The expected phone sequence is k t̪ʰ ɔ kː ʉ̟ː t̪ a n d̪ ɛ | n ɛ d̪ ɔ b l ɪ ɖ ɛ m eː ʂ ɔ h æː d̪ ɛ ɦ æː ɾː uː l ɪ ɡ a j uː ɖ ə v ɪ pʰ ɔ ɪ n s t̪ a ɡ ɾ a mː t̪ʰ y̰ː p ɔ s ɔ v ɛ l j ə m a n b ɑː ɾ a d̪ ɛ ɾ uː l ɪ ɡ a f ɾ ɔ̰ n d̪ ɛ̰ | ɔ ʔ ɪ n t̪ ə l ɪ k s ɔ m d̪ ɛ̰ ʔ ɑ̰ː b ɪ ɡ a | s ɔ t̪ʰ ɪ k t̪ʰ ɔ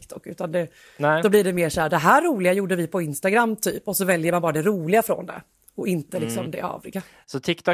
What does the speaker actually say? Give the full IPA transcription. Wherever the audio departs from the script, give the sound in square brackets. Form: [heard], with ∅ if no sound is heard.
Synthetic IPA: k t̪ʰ ɔ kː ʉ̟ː t̪ a n d̪ ɛ | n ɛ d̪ ɔ b l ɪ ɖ ɛ m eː ʂ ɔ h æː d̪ ɛ ɦ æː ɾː uː l ɪ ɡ a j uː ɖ ə v ɪ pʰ ɔ ɪ n s t̪ a ɡ ɾ a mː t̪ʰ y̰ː p ɔ s ɔ v ɛ l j ə m a n b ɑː ɾ a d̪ ɛ ɾ uː l ɪ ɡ a f ɾ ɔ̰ n d̪ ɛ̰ | ɔ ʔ ɪ n t̪ ə l ɪ k s ɔ m d̪ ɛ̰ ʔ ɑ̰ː [v] ɪ ɡ a | s ɔ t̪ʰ ɪ k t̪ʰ ɔ